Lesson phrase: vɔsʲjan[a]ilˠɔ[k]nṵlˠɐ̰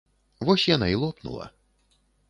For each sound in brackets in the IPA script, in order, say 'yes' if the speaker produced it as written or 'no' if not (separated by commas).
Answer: yes, no